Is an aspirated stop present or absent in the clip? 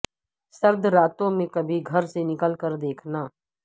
present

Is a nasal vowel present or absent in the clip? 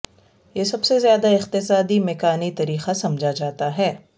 absent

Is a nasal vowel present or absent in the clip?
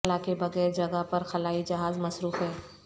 absent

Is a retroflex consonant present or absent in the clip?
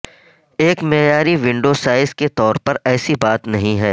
present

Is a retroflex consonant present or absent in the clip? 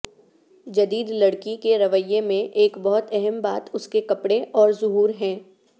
present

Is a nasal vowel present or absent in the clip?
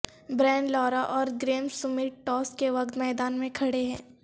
present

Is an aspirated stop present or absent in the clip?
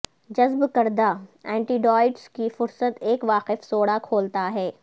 present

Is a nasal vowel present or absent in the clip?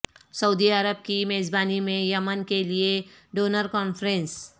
present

